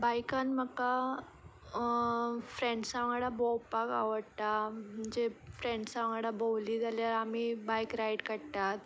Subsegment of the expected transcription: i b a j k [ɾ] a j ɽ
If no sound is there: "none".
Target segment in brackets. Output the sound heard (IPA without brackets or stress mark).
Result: ɾ